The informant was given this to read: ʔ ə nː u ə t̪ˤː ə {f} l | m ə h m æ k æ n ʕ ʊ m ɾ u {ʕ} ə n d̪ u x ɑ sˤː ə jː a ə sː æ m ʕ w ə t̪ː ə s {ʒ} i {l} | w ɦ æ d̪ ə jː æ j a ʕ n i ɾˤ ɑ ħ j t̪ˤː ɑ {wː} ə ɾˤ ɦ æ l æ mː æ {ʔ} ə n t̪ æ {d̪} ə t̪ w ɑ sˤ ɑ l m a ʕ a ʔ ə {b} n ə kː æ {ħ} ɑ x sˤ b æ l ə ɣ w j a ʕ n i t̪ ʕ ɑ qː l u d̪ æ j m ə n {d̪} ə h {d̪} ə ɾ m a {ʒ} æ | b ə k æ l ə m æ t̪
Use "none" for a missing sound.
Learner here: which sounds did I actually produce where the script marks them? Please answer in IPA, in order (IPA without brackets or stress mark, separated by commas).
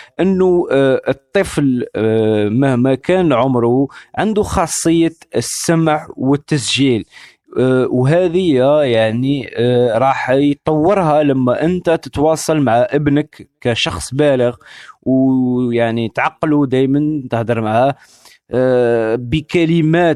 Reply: f, ʕ, ʒ, l, wː, ʔ, t̪, b, ʃ, t̪, d̪, ʕ